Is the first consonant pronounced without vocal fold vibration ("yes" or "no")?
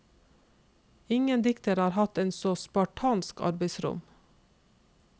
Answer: no